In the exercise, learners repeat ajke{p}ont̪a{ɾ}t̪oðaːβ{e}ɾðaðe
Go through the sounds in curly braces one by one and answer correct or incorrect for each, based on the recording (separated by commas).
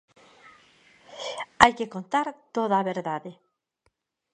incorrect, correct, correct